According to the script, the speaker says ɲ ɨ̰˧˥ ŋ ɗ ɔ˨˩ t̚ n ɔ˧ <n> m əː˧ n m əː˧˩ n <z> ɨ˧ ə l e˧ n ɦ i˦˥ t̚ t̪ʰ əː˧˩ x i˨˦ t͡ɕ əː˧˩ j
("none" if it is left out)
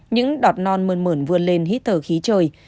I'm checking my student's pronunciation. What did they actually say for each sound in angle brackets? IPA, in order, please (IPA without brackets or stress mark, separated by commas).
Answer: n, v